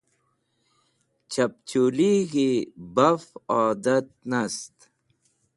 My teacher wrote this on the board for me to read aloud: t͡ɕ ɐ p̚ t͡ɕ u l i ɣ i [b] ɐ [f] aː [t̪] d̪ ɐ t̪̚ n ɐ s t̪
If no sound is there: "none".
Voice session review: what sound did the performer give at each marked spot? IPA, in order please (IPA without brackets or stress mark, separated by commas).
b, f, none